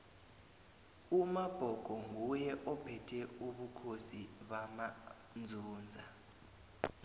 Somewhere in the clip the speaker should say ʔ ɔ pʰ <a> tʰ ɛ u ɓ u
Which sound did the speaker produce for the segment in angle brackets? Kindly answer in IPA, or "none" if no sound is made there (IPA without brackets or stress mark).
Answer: ɛ